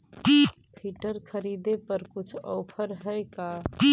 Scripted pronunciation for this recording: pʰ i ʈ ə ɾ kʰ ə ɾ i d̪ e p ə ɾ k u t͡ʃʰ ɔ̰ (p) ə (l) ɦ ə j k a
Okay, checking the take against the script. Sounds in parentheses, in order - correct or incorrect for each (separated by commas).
incorrect, incorrect